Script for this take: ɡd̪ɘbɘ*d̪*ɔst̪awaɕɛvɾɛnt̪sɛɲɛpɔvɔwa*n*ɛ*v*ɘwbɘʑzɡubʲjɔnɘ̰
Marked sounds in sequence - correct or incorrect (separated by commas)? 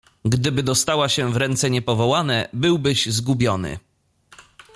correct, correct, incorrect